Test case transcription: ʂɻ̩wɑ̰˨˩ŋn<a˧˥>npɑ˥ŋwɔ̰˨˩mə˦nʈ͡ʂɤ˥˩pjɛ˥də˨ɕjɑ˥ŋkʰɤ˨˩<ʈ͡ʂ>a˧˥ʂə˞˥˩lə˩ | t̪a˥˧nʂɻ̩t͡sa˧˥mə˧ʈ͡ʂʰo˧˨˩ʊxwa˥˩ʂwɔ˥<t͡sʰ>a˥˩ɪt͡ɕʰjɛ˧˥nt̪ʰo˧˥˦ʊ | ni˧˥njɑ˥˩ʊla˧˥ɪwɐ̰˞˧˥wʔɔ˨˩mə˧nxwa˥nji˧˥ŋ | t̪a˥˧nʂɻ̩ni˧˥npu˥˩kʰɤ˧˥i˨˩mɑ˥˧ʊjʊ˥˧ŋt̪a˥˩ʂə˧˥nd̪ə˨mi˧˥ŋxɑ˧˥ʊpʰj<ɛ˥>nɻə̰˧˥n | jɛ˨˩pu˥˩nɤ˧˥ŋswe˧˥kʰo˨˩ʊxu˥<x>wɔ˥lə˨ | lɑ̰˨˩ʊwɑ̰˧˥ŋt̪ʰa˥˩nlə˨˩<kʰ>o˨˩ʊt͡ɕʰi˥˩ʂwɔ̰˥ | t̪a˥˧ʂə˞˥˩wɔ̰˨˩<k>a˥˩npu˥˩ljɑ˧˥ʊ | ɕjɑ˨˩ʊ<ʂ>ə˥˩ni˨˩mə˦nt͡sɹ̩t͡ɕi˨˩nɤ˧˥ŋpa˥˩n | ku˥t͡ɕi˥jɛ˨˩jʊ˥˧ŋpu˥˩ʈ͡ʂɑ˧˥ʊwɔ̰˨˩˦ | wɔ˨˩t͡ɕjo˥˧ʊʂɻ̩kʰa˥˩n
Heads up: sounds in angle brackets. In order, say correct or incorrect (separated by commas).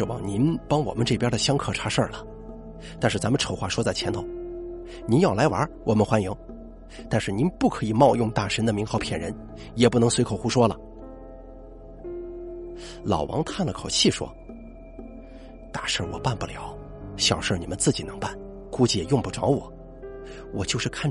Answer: incorrect, incorrect, incorrect, incorrect, incorrect, correct, incorrect, correct